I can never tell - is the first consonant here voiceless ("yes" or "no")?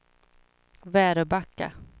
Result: no